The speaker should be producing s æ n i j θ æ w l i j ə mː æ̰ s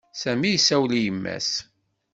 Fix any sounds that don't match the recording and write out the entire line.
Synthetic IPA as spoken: s æ m i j s æ w l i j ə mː æ̰ s